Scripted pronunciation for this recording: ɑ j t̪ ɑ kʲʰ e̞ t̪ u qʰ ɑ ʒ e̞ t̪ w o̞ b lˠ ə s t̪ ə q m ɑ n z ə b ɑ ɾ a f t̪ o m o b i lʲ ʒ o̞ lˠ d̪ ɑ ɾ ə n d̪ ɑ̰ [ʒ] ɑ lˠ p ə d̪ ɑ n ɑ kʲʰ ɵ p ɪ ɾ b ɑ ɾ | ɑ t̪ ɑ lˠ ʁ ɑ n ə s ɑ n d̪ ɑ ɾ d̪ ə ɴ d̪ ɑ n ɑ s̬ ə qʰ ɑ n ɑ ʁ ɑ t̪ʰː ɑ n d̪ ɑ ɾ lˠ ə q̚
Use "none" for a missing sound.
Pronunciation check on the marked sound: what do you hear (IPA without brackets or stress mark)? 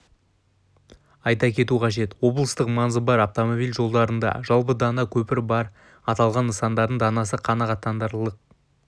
ʒ